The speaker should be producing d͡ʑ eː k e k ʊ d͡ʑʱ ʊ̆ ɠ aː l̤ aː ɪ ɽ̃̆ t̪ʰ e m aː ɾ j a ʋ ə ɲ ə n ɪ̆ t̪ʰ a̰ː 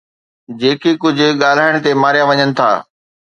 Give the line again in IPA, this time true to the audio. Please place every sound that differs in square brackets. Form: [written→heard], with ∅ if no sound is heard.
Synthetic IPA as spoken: d͡ʑ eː k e k ʊ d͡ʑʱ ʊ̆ ɠ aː l̤ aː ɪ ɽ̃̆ [t̪ʰ→t̪] e m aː ɾ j a ʋ [ə→ɐ] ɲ ə n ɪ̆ t̪ʰ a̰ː